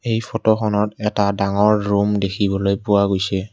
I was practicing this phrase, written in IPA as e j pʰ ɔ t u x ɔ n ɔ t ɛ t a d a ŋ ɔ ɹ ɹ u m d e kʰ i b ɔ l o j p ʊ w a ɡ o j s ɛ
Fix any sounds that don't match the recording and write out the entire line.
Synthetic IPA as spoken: e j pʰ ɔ t ɔ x ɔ n ɔ t ɛ t a d a ŋ ɔ ɹ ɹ u m d e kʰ i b ɔ l o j p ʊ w a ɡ o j s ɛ